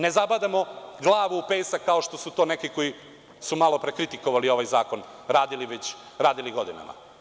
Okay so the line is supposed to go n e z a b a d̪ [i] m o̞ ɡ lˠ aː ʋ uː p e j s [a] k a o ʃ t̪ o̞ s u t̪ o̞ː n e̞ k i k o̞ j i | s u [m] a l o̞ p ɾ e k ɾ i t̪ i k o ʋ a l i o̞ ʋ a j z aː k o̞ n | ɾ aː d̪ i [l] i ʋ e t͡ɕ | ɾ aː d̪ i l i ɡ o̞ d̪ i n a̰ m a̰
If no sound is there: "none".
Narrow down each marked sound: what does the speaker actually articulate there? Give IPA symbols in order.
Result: a, a, m, l

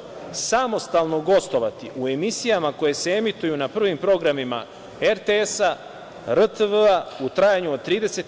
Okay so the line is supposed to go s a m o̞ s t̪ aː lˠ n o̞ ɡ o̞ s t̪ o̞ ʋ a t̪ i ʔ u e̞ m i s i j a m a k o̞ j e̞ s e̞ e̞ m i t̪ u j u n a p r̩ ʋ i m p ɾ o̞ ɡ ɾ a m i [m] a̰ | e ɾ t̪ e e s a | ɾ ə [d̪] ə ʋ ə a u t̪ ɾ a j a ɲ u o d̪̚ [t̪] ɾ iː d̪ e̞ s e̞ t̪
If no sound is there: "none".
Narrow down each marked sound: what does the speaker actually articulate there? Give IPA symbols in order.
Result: m, t̪, t̪

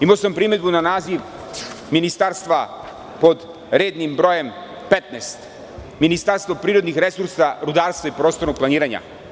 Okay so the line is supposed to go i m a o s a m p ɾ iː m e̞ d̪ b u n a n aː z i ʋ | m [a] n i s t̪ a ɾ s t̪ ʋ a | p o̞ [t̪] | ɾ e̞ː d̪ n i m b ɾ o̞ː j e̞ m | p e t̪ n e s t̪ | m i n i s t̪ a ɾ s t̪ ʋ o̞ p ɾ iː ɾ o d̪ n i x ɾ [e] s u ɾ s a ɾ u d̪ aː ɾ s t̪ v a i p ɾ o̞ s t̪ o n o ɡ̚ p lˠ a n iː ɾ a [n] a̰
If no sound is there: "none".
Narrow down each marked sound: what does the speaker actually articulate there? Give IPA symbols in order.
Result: i, d̪, e, ɲ

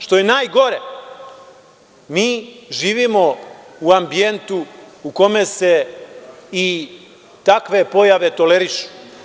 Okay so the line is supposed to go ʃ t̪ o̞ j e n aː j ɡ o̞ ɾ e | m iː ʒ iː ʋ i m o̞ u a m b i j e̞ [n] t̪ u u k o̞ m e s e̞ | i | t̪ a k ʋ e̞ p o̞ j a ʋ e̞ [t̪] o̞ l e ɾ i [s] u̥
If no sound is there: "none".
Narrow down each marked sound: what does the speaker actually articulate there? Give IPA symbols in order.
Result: n, t̪, ʃ

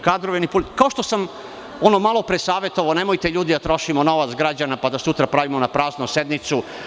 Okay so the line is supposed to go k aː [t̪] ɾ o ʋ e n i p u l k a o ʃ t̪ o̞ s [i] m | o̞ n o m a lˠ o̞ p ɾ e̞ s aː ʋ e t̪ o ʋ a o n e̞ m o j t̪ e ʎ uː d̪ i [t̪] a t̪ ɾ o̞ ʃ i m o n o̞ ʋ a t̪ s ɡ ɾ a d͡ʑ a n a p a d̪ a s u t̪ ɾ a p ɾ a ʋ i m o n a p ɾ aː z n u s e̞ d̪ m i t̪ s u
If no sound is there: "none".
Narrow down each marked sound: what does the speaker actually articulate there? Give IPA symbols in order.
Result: d̪, a, d̪

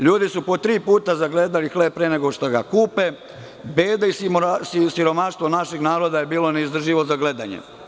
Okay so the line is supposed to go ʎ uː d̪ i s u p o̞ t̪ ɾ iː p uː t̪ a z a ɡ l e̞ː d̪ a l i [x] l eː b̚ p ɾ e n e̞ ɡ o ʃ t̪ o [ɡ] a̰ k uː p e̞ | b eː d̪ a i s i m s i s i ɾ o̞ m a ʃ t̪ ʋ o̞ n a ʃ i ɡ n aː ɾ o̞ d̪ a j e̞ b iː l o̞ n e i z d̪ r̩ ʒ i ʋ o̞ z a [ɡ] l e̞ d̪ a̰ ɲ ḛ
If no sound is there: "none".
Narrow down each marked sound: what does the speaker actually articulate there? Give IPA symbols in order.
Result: x, ɡ, ɡ

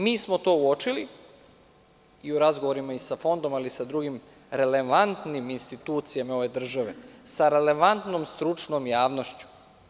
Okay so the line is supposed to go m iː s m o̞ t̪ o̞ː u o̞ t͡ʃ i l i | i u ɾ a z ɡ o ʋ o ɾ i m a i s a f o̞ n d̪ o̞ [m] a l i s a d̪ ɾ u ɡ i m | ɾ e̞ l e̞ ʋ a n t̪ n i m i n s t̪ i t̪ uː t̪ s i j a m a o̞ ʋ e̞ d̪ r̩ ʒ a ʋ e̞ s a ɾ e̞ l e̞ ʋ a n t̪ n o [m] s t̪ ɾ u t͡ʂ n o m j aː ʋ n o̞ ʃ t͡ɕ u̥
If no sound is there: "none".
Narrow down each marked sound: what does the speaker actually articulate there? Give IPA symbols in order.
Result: m, m

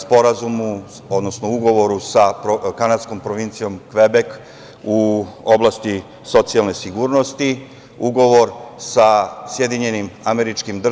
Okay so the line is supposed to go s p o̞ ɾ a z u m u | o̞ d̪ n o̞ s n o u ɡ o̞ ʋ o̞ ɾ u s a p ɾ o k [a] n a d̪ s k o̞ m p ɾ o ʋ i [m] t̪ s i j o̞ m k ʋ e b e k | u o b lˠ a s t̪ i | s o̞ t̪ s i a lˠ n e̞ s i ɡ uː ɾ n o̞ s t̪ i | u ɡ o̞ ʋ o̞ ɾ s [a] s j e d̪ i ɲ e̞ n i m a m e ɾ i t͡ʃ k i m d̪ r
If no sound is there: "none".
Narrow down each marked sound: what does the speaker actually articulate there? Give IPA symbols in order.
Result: a, n, a

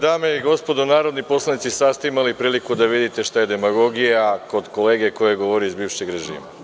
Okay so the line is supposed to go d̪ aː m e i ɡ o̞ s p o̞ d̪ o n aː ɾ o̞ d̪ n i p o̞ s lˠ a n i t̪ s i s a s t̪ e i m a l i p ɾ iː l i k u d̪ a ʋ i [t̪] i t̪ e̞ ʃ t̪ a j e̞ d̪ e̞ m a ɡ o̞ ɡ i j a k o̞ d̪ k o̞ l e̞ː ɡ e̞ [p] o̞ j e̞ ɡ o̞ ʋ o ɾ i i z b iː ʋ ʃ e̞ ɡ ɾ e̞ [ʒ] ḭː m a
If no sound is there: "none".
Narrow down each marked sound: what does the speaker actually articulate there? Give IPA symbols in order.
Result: d̪, k, ʒ

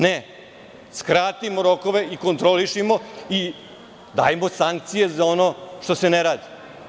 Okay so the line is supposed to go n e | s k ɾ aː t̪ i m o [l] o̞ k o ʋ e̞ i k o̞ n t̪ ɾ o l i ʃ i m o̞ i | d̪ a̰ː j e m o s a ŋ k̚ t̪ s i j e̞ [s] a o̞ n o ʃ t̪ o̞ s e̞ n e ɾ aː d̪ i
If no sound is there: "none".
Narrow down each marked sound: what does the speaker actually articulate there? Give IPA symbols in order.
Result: ɾ, z

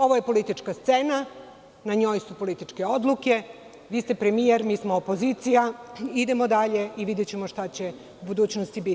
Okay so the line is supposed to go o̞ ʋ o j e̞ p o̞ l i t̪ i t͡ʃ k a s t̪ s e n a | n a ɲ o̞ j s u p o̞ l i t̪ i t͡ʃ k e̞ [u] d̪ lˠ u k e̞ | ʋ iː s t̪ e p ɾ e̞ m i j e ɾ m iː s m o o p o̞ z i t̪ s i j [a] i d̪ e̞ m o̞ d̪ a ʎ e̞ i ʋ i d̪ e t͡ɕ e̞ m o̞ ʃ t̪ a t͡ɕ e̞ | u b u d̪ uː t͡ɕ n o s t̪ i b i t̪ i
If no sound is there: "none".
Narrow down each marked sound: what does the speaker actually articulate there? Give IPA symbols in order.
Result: o, a

